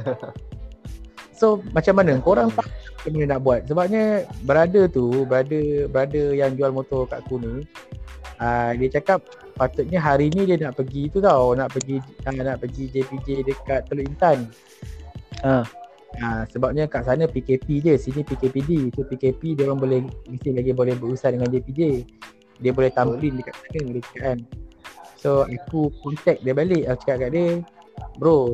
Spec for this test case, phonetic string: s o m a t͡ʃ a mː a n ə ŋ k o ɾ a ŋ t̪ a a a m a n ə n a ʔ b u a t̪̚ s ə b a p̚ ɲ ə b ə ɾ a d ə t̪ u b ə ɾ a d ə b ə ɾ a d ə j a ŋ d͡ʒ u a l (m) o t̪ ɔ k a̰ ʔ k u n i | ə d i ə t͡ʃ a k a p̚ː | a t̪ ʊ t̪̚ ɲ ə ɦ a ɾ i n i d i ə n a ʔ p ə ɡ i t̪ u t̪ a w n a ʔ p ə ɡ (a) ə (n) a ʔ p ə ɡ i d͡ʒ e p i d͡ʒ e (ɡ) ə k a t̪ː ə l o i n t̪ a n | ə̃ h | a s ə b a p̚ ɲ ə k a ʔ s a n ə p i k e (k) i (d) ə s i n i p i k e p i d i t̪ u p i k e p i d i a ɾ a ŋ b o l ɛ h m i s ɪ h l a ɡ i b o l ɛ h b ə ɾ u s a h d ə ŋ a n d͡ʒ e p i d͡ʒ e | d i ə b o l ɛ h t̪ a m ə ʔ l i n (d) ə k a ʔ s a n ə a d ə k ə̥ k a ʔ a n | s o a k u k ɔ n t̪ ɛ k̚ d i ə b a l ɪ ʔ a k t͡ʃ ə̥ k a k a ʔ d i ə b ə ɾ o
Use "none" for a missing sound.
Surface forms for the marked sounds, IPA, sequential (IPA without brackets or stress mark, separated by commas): m, i, n, d, p, d͡ʒ, d